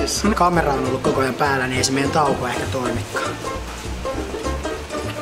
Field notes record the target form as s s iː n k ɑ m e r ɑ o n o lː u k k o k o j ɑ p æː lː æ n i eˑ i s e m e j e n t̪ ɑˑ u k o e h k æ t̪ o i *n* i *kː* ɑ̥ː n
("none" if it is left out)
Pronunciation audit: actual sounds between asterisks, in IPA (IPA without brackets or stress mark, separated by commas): m, kː